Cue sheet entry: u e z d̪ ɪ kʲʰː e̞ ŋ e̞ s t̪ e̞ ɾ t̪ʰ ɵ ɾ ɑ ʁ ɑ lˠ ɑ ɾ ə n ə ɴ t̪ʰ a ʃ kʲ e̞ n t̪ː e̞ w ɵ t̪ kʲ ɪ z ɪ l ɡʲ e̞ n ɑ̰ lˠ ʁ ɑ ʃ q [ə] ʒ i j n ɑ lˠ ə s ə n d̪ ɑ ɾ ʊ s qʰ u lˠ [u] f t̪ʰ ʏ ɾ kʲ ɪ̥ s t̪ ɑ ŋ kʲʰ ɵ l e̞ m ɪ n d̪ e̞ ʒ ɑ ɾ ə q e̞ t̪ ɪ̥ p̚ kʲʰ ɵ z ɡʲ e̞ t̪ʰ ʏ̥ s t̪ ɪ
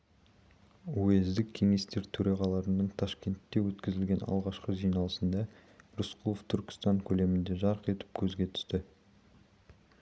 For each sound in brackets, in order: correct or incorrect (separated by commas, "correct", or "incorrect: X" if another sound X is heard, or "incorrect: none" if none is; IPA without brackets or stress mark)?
correct, incorrect: o